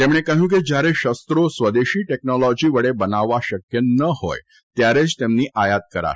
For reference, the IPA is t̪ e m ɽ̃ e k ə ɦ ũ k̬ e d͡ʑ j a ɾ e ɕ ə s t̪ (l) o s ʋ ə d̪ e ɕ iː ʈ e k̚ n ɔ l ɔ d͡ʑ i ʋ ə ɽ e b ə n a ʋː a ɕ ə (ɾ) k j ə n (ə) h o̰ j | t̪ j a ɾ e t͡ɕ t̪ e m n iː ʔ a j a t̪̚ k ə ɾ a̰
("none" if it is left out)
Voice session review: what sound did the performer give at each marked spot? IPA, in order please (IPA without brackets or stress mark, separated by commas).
ɾ, none, ə